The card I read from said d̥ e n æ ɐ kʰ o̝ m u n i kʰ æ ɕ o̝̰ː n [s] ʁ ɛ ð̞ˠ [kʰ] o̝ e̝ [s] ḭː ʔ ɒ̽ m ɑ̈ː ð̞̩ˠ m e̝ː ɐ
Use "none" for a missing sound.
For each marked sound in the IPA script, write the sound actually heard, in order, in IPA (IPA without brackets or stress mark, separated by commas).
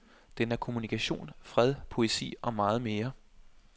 f, pʰ, s